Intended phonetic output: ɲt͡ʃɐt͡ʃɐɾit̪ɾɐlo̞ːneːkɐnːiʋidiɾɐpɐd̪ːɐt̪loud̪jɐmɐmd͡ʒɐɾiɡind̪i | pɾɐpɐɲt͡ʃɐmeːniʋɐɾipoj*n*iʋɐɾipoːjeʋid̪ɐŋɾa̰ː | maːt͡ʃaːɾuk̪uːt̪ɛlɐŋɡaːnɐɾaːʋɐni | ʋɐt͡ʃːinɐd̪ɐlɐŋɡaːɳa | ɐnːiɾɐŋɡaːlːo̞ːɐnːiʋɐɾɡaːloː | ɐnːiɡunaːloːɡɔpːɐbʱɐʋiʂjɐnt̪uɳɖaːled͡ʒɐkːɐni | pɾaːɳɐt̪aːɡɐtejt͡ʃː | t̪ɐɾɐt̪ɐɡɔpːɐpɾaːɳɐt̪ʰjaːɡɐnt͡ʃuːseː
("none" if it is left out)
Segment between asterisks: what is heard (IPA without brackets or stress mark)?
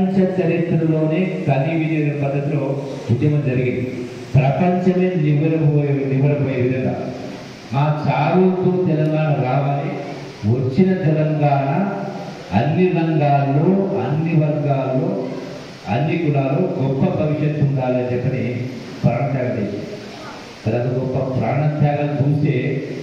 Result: n